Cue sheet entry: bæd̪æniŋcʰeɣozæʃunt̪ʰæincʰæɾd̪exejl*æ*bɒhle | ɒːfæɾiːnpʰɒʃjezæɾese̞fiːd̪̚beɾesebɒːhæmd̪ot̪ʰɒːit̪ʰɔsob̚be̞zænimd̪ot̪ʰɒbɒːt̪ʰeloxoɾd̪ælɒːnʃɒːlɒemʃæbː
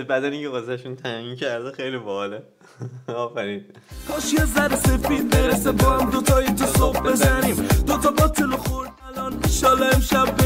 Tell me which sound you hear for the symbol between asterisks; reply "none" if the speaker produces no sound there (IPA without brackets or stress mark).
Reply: i